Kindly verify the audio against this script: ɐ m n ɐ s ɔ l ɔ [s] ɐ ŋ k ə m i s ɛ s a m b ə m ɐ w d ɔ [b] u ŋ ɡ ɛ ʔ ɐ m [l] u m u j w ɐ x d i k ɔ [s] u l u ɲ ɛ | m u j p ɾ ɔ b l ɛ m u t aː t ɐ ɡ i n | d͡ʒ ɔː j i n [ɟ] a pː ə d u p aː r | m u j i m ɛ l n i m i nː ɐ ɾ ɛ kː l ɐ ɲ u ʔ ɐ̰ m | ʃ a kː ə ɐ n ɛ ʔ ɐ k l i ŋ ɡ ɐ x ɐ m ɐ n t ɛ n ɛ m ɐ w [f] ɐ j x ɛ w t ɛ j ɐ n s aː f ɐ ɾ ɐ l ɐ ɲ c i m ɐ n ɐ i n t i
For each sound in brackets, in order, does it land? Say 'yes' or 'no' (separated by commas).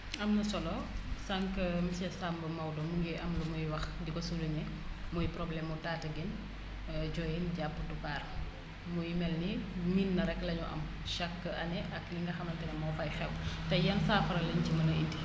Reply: yes, no, yes, yes, yes, yes